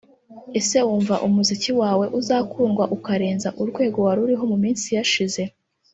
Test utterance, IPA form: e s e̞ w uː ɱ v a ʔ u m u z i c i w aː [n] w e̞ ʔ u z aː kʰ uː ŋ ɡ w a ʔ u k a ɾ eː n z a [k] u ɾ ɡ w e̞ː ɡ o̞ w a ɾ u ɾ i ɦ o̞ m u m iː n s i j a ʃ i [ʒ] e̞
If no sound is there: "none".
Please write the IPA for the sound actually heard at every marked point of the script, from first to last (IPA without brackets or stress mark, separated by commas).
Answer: none, ʔ, z